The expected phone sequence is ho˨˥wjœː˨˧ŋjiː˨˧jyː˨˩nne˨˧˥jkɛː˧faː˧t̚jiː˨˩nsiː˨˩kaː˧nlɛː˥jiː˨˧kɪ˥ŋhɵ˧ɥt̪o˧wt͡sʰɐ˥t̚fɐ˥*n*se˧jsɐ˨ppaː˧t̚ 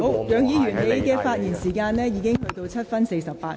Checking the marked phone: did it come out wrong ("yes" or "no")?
no